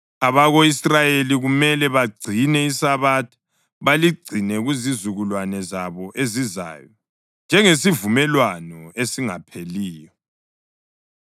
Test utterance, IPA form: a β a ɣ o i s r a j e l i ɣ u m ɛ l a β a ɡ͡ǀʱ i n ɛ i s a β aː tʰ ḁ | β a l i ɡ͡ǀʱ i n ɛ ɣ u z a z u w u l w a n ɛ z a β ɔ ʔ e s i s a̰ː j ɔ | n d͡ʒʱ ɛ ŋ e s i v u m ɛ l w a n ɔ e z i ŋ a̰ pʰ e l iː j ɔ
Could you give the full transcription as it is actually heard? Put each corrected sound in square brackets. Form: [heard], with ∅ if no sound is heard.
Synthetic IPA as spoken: a β a ɣ o i s r a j e l i ɣ u m ɛ l [ɛ] β a ɡ͡ǀʱ i n ɛ i s a β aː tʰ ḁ | β a l i ɡ͡ǀʱ i n ɛ ɣ u z [i] z u [ɣ] u l w a n ɛ z a β ɔ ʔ e [z] i [z] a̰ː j ɔ | n d͡ʒʱ ɛ ŋ e s i v u m ɛ l w a n ɔ e [s] i ŋ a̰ pʰ e l iː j ɔ

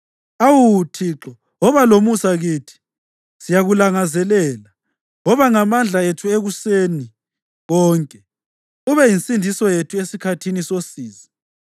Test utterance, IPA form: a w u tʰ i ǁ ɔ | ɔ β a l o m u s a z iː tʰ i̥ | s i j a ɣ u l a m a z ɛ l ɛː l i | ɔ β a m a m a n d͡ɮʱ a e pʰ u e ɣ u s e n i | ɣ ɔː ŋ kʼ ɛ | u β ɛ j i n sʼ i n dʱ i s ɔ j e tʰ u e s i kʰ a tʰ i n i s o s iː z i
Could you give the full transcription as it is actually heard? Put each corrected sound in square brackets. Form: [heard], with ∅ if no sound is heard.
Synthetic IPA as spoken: a w u tʰ i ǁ ɔ | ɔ β a l o m u s a [ɣ] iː tʰ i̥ | s i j a ɣ u l a [ŋ] a z ɛ l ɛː l [a] | ɔ β a [ŋ] a m a n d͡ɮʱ a e [tʰ] u e ɣ u s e n i | ɣ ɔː ŋ kʼ ɛ | u β ɛ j i n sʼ i n dʱ i s ɔ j e tʰ u e s i kʰ a tʰ i n i s o s iː z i

